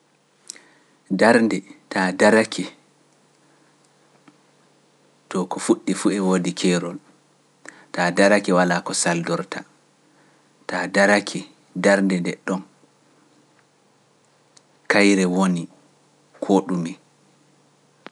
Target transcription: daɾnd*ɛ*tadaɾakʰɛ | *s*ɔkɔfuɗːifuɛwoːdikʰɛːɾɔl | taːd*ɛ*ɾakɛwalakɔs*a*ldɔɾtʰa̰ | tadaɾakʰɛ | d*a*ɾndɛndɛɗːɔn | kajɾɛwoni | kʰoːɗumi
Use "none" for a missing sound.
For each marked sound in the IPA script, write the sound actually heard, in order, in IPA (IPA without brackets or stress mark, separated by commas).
ɛ, t, a, a, a